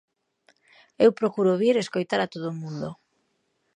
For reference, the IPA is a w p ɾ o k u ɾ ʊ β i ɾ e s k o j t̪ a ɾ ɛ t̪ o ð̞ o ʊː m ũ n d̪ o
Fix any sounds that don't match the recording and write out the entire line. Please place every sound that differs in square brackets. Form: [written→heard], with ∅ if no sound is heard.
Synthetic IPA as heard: [a→e] w p ɾ o k u ɾ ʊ β i ɾ e s k o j t̪ a ɾ [ɛ→a] t̪ o ð̞ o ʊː m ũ n d̪ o